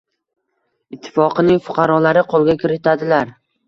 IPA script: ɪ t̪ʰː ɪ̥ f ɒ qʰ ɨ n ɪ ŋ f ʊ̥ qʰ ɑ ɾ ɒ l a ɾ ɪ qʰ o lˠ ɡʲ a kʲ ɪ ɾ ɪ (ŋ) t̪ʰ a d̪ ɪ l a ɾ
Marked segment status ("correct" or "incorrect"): incorrect